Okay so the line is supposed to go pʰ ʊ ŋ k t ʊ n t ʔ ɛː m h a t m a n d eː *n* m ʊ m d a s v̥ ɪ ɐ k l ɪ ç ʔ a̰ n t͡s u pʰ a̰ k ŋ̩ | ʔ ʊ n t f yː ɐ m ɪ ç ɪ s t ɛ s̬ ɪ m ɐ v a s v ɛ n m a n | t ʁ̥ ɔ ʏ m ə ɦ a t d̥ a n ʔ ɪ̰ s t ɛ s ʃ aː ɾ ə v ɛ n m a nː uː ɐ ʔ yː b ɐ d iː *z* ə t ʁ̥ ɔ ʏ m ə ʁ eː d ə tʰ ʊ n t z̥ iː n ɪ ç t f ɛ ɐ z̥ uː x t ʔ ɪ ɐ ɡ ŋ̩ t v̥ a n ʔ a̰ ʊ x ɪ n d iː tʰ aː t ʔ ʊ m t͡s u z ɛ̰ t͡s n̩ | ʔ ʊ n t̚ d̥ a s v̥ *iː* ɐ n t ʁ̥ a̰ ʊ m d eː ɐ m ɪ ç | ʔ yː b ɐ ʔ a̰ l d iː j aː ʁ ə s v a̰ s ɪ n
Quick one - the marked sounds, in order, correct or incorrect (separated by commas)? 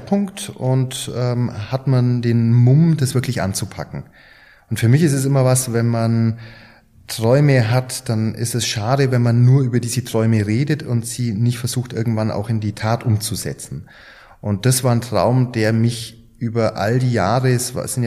correct, correct, incorrect